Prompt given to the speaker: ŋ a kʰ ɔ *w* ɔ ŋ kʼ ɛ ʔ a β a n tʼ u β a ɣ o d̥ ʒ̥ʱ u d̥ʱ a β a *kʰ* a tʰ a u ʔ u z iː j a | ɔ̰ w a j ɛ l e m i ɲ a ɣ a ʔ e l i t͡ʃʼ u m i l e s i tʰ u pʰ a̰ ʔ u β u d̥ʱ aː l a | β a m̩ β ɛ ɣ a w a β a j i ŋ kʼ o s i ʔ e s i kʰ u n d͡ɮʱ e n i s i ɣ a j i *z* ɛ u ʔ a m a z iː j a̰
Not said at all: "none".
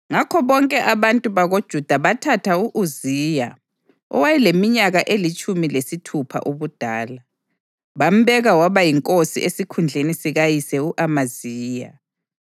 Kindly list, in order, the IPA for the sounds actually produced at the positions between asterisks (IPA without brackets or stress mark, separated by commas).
β, tʰ, s